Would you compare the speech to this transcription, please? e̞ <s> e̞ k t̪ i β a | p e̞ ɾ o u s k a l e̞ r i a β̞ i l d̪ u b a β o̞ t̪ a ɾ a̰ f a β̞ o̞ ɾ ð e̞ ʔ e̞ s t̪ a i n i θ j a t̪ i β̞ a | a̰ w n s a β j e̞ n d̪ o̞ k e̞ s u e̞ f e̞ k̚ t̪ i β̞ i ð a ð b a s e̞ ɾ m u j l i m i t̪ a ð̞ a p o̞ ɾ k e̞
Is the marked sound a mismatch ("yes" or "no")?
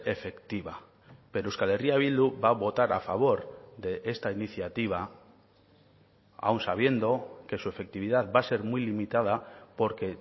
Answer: yes